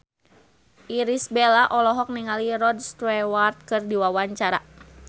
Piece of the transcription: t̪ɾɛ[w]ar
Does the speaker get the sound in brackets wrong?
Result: no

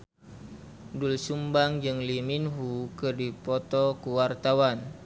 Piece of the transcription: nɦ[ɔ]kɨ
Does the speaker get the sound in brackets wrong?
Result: yes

